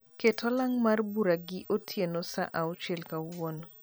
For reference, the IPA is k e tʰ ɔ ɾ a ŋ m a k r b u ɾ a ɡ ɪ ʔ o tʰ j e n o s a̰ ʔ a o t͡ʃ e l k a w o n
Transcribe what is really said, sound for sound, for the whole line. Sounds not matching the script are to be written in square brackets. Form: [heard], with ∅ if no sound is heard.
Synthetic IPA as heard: k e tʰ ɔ [l] a ŋ m a [∅] r b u ɾ a ɡ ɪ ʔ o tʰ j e n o s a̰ ʔ a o t͡ʃ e l k a w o n